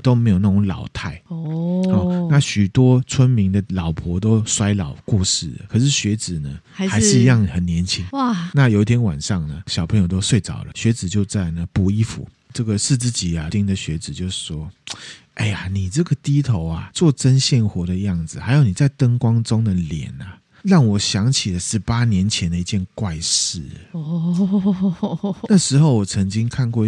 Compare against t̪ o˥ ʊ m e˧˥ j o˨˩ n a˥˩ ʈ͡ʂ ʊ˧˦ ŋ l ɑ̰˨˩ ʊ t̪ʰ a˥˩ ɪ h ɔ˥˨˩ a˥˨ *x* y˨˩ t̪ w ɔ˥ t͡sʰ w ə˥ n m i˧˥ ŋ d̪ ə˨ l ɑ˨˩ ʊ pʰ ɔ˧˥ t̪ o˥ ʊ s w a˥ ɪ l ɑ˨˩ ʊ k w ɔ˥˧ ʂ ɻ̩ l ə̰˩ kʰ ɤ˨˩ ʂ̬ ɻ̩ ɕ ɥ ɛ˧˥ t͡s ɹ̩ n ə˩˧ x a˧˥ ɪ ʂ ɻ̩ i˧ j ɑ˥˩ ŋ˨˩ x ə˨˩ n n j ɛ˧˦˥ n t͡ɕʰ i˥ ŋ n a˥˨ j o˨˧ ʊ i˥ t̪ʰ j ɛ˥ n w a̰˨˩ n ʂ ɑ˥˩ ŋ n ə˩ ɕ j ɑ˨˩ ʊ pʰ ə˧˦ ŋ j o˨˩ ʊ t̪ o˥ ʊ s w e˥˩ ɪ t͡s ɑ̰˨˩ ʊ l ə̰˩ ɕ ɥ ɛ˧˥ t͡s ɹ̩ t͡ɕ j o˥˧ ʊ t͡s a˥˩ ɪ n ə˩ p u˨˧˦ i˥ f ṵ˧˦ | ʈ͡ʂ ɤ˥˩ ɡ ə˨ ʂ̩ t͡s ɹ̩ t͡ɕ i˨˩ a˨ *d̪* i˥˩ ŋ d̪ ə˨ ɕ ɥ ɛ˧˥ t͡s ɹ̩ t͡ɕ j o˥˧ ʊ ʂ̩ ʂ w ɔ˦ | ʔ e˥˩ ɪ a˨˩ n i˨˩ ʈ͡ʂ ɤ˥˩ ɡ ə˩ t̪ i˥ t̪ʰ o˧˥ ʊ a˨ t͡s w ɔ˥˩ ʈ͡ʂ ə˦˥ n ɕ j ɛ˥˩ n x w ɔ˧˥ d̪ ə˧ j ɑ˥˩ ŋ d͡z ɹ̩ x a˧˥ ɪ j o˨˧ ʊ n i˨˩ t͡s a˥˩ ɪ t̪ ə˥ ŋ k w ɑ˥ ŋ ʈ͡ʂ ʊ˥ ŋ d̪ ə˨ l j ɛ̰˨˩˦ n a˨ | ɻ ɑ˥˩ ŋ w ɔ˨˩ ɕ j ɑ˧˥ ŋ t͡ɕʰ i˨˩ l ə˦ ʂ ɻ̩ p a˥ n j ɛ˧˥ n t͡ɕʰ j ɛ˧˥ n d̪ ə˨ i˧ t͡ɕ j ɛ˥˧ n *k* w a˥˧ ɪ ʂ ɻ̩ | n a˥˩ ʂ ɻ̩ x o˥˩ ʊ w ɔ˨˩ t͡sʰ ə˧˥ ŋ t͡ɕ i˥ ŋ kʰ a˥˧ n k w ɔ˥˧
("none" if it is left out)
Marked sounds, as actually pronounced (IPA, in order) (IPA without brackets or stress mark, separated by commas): ɕ, t̪, k